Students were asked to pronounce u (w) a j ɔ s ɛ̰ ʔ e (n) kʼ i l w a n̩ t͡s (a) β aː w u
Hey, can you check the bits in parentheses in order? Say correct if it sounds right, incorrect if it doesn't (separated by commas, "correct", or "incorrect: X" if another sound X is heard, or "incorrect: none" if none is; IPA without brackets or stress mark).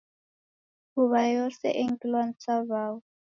incorrect: β, incorrect: ŋ, correct